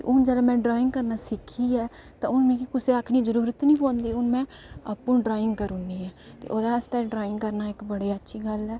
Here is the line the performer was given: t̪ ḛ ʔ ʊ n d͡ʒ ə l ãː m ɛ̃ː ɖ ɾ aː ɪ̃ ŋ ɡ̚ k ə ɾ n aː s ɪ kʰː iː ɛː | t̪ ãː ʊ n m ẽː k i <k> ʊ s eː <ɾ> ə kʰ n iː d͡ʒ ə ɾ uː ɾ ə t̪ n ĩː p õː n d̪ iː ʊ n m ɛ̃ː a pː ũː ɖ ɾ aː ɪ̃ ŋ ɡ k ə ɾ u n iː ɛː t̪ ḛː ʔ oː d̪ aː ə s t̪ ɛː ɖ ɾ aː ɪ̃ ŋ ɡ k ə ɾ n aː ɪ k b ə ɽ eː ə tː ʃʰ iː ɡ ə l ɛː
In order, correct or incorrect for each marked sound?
correct, incorrect: none

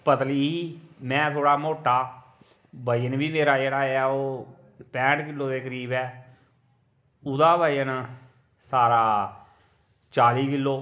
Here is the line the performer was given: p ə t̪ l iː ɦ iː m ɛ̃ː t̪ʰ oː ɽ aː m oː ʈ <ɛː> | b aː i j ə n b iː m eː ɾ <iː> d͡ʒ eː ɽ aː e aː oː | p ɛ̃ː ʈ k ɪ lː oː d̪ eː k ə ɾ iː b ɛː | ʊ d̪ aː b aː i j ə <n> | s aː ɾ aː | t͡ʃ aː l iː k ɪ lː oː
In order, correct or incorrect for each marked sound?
incorrect: aː, incorrect: aː, correct

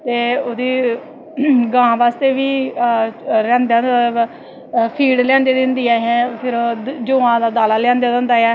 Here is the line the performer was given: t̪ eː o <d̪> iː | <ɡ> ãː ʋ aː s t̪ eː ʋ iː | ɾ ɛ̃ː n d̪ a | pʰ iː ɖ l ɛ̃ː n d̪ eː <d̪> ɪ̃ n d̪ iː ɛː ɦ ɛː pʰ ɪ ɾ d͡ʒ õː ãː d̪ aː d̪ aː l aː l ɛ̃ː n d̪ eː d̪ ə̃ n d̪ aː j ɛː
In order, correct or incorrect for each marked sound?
correct, correct, correct

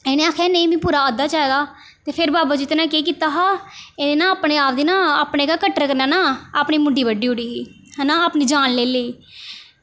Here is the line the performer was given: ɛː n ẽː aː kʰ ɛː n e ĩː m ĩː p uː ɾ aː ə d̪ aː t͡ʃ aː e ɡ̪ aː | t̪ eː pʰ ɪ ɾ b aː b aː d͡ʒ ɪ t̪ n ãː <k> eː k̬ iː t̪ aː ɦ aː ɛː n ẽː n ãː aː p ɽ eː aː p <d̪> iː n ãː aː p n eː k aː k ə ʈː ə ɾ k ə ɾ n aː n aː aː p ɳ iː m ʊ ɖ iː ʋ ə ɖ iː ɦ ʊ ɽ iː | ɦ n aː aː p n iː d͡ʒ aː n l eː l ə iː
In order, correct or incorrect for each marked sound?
correct, correct

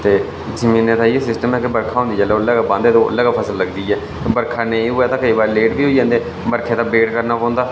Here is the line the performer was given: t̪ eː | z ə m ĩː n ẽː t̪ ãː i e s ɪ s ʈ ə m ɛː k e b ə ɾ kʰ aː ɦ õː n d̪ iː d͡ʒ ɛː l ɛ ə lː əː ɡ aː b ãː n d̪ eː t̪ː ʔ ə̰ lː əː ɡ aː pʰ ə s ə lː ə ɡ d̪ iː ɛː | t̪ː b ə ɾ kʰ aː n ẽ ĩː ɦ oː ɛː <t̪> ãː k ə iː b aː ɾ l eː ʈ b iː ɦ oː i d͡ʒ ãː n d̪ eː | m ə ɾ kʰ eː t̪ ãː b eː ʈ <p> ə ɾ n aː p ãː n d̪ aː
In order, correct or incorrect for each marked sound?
correct, incorrect: k

